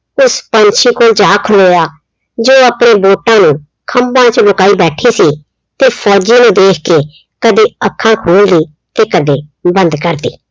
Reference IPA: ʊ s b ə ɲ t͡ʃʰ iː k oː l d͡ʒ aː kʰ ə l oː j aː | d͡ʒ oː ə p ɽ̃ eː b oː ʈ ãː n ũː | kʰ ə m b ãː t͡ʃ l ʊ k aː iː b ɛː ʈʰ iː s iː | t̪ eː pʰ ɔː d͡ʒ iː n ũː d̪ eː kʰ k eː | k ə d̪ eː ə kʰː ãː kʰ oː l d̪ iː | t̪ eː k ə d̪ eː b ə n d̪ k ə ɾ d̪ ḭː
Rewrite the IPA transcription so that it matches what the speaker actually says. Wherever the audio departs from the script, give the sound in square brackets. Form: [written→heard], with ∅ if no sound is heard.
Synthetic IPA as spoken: ʊ s [b→p] ə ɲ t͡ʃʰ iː k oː l d͡ʒ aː kʰ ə l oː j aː | d͡ʒ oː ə p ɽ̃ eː b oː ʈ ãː n ũː | kʰ ə m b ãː t͡ʃ l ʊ k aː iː b ɛː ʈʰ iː s iː | t̪ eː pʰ ɔː d͡ʒ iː n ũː d̪ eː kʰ k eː | k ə d̪ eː ə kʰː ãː kʰ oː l d̪ iː | t̪ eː k ə d̪ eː b ə n d̪ k ə ɾ d̪ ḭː